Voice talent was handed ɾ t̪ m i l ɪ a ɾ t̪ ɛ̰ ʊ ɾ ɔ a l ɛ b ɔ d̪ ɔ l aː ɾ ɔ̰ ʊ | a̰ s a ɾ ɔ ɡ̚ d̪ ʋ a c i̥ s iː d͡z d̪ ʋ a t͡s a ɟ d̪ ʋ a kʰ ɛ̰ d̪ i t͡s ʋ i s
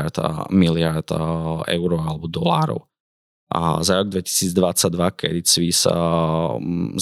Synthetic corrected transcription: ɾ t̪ m i l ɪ a ɾ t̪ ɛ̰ ʊ ɾ ɔ a l ɛ b ɔ d̪ ɔ l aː ɾ ɔ̰ ʊ | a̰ z a ɾ ɔ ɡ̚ d̪ ʋ ɛ c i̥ s iː d͡z d̪ ʋ a t͡s a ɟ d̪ ʋ a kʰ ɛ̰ d̪ i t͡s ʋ i s